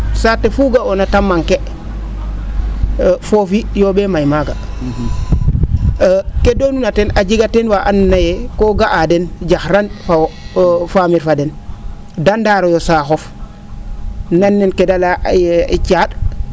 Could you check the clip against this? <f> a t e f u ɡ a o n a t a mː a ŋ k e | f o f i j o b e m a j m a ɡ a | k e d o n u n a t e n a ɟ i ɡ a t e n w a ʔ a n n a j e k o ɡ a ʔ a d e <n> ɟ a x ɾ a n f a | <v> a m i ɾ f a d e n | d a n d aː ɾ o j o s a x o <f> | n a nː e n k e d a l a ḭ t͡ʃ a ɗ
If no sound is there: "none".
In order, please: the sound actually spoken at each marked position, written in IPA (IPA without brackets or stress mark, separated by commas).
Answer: s, n, f, f